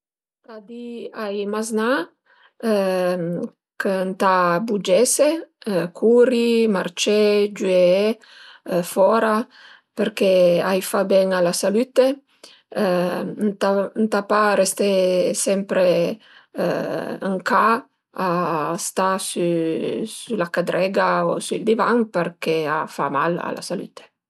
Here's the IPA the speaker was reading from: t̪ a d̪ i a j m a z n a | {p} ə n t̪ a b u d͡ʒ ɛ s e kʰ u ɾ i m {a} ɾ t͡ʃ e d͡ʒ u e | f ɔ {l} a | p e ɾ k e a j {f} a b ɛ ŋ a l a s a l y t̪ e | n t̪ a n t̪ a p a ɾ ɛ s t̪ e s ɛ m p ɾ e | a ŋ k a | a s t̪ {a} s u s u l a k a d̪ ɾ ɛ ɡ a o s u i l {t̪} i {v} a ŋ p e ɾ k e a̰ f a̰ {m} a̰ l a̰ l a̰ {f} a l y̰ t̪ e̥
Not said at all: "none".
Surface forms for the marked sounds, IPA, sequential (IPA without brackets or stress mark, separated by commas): k, a, ɾ, f, a, d̪, v, m, s